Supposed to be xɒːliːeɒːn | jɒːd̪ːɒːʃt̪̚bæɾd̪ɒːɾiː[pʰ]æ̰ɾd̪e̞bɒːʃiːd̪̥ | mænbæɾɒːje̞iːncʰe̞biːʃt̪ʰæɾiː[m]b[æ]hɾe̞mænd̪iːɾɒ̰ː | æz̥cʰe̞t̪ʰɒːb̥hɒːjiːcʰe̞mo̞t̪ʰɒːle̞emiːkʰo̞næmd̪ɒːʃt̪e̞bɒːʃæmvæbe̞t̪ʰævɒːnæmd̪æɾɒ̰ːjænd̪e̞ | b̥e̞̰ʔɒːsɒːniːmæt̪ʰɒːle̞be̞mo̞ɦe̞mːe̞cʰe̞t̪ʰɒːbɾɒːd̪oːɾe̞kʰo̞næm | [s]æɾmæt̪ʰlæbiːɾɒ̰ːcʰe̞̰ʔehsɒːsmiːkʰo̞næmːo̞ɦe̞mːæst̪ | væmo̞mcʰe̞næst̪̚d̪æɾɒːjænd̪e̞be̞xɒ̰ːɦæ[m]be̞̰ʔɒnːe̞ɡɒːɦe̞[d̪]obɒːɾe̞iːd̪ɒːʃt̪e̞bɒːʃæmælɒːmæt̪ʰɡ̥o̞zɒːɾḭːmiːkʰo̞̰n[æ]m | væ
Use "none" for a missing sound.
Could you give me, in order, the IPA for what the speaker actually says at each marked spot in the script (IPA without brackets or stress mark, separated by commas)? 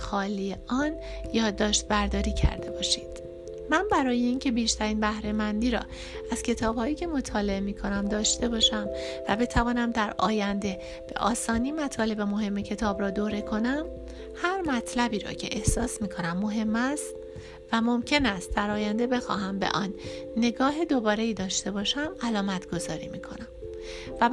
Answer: cʰ, n, æ, h, m, d̪, æ